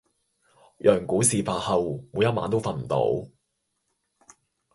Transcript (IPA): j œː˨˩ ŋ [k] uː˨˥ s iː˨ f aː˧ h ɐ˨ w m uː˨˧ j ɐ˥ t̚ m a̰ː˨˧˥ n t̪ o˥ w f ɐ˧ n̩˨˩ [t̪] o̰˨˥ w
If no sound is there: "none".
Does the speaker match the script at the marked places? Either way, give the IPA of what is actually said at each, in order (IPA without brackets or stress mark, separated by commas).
k, t̪